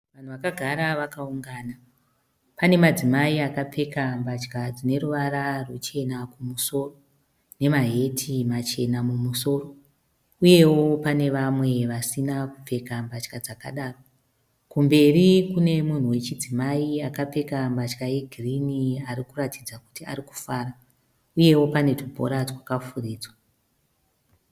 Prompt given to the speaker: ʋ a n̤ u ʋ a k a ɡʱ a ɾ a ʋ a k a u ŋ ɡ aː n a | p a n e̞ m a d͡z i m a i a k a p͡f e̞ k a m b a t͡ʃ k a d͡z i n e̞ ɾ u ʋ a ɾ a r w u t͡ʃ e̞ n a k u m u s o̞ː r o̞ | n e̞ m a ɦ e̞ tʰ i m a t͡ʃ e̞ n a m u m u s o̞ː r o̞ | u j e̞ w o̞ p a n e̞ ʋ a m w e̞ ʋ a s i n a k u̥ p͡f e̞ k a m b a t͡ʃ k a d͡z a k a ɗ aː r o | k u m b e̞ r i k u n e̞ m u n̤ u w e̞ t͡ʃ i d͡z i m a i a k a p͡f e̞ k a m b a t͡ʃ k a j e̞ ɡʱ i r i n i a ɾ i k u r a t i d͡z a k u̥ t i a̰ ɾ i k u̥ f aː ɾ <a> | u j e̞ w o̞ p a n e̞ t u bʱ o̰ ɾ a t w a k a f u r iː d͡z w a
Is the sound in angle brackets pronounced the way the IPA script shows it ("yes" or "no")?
yes